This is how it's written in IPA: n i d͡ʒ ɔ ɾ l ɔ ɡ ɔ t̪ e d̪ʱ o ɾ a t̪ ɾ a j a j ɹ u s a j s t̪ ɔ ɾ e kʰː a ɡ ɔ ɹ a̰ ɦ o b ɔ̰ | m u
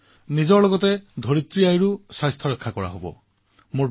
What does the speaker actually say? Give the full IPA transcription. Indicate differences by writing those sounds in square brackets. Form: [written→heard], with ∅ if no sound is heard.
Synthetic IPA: n i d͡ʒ ɔ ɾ l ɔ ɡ ɔ t̪ e d̪ʱ o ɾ [a→i] t̪ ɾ [a→i] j a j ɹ u s a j s [t̪→t̪ʰ] ɔ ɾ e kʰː a [ɡ→k] ɔ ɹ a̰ ɦ o b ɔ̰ | m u